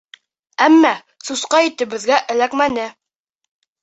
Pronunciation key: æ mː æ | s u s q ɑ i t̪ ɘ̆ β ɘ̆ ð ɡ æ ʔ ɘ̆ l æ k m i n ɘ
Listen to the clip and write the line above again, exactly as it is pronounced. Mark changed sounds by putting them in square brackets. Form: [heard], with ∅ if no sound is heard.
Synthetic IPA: æ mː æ | s u s q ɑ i t̪ ɘ̆ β ɘ̆ ð ɡ æ ʔ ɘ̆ l æ k m [æ] n ɘ